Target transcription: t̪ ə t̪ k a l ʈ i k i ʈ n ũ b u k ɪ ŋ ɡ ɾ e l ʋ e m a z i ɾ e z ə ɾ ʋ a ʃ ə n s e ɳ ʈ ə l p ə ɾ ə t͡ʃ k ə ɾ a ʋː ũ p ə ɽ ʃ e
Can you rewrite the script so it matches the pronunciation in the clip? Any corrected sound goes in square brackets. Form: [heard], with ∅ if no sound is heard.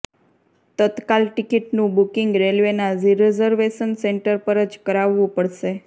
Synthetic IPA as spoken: t̪ ə t̪ k a l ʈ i k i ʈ n ũ b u k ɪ ŋ ɡ ɾ e l ʋ e [n] a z i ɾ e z ə ɾ ʋ [e] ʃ ə n s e ɳ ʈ ə [ɾ] p ə ɾ ə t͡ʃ k ə ɾ a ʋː ũ p ə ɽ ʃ e